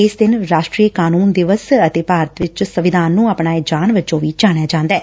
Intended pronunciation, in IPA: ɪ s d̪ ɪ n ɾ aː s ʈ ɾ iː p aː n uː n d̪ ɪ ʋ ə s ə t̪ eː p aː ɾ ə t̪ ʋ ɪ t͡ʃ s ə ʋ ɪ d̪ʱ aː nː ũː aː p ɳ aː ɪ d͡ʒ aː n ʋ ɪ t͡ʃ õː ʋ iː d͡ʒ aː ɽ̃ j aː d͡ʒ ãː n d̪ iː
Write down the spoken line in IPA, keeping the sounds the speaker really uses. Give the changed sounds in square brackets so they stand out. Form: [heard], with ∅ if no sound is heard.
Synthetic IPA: ɪ s d̪ ɪ n ɾ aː [ʃ] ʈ ɾ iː [k] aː n uː n d̪ ɪ ʋ ə s ə t̪ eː p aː ɾ ə t̪ ʋ ɪ t͡ʃ s ə ʋ ɪ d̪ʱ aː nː ũː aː p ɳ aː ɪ d͡ʒ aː n ʋ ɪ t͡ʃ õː ʋ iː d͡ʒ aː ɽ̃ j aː d͡ʒ ãː n d̪ [ɛː]